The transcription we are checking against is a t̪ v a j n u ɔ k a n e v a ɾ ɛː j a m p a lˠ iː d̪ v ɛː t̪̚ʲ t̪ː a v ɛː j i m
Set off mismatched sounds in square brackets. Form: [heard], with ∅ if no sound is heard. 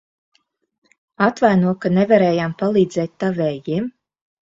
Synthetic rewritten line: a t̪ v a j n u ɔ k a n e v a ɾ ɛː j a m p a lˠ iː d̪ [z] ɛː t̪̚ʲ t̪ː a v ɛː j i m